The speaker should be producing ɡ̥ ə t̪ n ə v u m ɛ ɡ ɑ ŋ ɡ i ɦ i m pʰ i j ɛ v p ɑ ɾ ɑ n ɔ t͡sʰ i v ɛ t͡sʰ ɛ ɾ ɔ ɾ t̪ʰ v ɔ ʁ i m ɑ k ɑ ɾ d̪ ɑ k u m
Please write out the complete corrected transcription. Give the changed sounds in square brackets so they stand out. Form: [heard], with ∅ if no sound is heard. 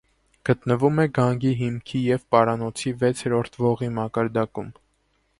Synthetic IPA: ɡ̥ ə t̪ n ə v u m ɛ ɡ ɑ ŋ ɡ i ɦ i m [kʰ] i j ɛ v p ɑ ɾ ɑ n ɔ t͡sʰ i v ɛ t͡sʰ ɛ ɾ ɔ ɾ t̪ʰ v ɔ ʁ i m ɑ k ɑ ɾ d̪ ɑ k u m